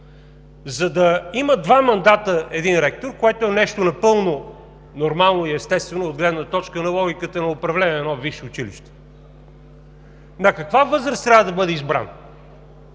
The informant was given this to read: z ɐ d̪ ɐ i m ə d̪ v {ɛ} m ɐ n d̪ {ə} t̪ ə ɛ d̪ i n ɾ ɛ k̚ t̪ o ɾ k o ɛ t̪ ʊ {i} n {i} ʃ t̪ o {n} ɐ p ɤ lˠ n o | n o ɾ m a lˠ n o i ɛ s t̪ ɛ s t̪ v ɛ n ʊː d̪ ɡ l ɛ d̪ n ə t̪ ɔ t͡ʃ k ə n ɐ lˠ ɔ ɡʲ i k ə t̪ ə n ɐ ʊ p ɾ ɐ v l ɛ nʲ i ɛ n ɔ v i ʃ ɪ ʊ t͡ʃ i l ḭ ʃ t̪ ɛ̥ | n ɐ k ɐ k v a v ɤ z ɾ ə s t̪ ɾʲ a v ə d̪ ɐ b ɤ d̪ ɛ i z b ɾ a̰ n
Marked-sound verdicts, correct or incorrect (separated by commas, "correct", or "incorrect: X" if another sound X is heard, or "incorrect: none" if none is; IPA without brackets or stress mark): incorrect: a, incorrect: a, incorrect: ɛ, incorrect: ɛ, correct